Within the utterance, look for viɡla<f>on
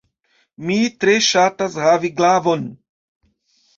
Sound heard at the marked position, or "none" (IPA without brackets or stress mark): v